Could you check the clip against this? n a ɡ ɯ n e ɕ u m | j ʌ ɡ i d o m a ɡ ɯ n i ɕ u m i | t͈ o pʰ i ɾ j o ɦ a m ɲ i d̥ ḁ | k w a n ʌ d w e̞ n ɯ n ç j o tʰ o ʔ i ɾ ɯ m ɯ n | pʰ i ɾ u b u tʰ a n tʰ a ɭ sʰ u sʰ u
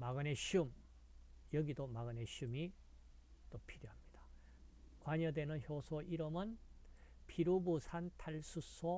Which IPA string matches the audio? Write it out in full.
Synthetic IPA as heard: m a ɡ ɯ n e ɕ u m | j ʌ ɡ i d o m a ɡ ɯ n e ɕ u m i | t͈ o pʰ i ɾ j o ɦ a m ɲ i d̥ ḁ | k w a ɲ ʌ d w e̞ n ɯ n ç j o sʰ o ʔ i ɾ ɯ m ɯ n | pʰ i ɾ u b u sʰ a n tʰ a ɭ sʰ u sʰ o